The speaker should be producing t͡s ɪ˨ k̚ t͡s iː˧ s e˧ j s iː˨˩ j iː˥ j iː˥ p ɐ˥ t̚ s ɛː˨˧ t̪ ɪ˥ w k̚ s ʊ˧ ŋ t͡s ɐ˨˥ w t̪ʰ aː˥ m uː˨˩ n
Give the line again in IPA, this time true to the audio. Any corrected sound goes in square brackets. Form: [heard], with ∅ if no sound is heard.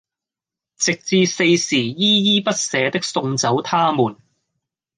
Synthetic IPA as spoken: t͡s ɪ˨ k̚ t͡s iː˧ s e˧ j s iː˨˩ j iː˥ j iː˥ p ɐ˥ t̚ s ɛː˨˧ t̪ ɪ˥ [∅] k̚ s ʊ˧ ŋ t͡s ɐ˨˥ w t̪ʰ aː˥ m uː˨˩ n